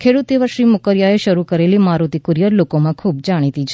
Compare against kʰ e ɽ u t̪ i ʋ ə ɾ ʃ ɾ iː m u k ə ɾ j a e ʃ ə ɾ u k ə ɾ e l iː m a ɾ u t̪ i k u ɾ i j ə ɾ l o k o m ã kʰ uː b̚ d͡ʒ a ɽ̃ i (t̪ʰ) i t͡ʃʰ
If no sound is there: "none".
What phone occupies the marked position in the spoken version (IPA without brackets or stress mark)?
t̪